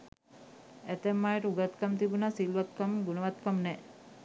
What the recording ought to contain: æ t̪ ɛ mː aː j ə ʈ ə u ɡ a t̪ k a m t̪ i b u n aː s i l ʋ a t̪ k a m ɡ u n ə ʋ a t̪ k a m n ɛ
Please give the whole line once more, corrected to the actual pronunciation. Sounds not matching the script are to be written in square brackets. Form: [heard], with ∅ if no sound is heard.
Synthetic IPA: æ t̪ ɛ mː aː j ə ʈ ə u ɡ a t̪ k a m t̪ i b u n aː s i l ʋ a t̪ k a m ɡ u n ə ʋ a t̪ k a m n ɛ